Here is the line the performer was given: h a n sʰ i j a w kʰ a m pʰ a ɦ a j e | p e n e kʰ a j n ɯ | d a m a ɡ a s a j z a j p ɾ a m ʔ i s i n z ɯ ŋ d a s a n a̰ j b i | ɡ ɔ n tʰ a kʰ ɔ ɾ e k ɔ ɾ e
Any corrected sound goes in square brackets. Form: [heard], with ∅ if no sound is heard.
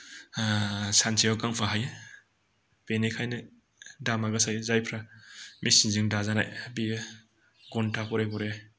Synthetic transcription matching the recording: [s] a n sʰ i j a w [k] a [ŋ] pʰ a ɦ a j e | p e n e kʰ a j n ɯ | d a m a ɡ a s a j z a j [pʰ] ɾ a m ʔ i s i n z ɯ ŋ d a [z] a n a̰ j b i | ɡ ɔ n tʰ a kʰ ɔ ɾ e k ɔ ɾ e

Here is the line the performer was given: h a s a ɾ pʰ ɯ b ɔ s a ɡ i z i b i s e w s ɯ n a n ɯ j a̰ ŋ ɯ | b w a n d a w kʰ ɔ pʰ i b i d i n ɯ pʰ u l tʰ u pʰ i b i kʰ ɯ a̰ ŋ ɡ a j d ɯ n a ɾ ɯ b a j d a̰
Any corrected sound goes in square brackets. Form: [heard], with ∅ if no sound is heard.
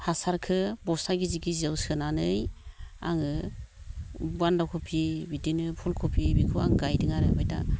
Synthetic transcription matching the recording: h a s a ɾ [kʰ] ɯ b ɔ s a ɡ i z i [ɡ] i [z] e w s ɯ n a n ɯ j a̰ ŋ ɯ | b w a n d a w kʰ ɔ pʰ i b i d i n ɯ pʰ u l [kʰ] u pʰ i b i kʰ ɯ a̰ ŋ ɡ a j d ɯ [ŋ] a ɾ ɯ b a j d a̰

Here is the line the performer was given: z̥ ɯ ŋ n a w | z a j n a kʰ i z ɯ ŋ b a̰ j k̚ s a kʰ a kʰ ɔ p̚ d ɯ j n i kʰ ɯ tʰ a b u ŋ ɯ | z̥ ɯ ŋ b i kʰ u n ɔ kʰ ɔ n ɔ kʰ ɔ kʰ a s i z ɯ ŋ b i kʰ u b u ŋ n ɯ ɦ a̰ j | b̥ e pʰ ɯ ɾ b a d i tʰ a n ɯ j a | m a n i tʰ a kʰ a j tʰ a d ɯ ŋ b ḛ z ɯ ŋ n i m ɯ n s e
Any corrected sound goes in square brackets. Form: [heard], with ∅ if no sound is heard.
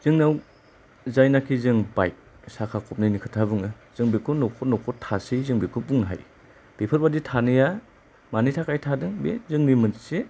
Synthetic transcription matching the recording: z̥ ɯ ŋ n a w | z a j n a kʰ i z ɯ ŋ b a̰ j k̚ s a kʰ a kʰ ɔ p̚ [n] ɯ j n i kʰ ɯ tʰ a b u ŋ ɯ | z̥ ɯ ŋ b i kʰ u n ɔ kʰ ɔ n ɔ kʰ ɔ [tʰ] a s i z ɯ ŋ b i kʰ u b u ŋ n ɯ ɦ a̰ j | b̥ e pʰ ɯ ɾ b a d i tʰ a n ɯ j a | m a n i tʰ a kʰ a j tʰ a d ɯ ŋ b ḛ z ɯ ŋ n i m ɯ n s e

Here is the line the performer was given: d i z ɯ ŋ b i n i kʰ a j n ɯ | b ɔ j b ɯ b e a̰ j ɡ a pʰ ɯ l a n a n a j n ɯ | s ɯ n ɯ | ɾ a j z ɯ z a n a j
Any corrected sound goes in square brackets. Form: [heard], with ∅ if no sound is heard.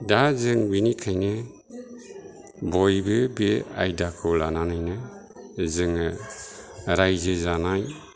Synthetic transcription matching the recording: d [a] z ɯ ŋ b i n i kʰ a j n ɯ | b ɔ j b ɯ b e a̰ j [d] a [kʰ] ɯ l a n a n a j n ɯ | [z] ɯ [ŋ] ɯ | ɾ a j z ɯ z a n a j

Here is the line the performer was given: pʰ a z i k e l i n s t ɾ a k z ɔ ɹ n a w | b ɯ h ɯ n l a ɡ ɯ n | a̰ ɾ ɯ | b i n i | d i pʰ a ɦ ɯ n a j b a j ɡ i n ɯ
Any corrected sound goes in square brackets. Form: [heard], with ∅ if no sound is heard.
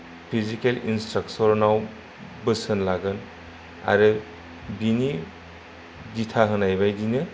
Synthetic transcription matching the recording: pʰ [i] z i k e l i n s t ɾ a k [s] ɔ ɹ n a w | b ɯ [s] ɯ n l a ɡ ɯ n | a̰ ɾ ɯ | b i n i | d i [tʰ] a ɦ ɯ n a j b a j [d] i n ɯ

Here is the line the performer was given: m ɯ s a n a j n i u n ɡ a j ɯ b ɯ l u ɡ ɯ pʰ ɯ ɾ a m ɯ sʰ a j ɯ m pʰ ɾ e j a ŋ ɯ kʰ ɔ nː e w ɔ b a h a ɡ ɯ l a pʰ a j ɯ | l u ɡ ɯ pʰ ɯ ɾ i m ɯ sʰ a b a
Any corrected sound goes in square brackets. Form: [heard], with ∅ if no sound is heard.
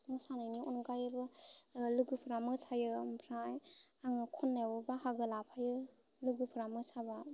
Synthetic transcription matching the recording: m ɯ s a n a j n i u n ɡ a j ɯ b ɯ l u ɡ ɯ pʰ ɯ ɾ a m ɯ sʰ a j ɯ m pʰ ɾ [a] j a ŋ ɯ kʰ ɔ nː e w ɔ b a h a ɡ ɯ l a pʰ a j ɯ | l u ɡ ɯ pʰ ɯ ɾ [a] m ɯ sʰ a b a

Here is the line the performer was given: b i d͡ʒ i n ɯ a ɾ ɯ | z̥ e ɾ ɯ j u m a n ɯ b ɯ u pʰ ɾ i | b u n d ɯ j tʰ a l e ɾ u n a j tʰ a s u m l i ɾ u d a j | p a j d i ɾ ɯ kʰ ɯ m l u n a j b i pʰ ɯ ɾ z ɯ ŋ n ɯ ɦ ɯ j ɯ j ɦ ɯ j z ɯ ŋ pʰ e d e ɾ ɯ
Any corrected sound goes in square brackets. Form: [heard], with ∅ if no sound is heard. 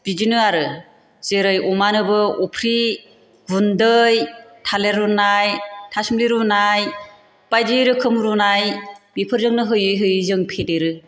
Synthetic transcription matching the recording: b i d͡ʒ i n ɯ a ɾ ɯ | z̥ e ɾ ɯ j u m a n ɯ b ɯ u pʰ ɾ i | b u n d ɯ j tʰ a l e ɾ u n a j tʰ a s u m l i ɾ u [n] a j | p a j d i ɾ ɯ kʰ ɯ m [ɾ] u n a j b i pʰ ɯ ɾ z ɯ ŋ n ɯ ɦ ɯ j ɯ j ɦ ɯ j z ɯ ŋ pʰ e d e ɾ ɯ

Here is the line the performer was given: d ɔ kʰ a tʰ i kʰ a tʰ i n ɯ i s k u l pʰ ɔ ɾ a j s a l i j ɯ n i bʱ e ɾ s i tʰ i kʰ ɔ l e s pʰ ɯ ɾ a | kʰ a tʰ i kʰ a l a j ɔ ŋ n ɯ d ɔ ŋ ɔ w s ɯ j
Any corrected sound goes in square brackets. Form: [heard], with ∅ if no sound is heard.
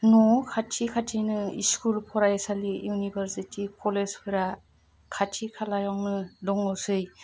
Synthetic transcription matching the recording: [n] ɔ kʰ a tʰ i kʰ a tʰ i n ɯ i s k u l pʰ ɔ ɾ a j s a l i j [u] n i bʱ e ɾ s i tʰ i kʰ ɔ l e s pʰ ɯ ɾ a | kʰ a tʰ i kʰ a l a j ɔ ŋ n ɯ d ɔ ŋ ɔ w s ɯ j

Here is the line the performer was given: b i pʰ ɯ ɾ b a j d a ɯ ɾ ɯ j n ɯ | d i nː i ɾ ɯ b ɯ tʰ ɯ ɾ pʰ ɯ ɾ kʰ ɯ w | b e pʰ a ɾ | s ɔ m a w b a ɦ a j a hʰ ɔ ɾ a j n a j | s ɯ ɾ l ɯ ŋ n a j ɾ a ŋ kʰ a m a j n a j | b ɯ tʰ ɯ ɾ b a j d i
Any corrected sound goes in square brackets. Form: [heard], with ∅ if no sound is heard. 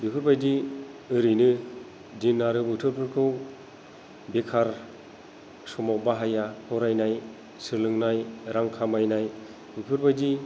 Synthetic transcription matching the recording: b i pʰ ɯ ɾ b a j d [i] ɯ ɾ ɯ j n ɯ | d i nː [a] ɾ ɯ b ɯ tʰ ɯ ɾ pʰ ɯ ɾ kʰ ɯ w | b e [kʰ] a ɾ | s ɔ m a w b a ɦ a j a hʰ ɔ ɾ a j n a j | s ɯ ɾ l ɯ ŋ n a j ɾ a ŋ kʰ a m a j n a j | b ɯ [pʰ] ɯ ɾ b a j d i

